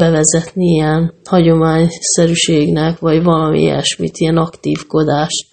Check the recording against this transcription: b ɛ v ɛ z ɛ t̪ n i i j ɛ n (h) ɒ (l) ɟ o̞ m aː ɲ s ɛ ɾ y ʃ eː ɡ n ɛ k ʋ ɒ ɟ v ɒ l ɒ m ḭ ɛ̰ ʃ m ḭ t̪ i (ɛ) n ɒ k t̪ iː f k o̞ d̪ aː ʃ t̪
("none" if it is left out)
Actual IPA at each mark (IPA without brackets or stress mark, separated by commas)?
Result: h, none, ɛ